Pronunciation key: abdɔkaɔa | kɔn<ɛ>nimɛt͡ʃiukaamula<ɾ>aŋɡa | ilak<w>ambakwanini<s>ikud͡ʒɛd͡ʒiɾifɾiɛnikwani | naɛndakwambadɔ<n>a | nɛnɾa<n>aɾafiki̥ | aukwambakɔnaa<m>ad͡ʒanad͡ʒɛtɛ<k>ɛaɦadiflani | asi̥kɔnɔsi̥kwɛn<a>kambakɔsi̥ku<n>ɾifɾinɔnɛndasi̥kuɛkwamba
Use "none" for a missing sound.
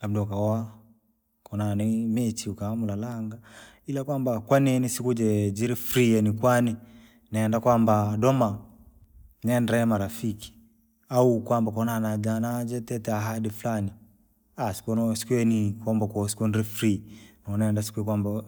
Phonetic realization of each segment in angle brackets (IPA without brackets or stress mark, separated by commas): a, l, w, s, m, m, n, t, i, n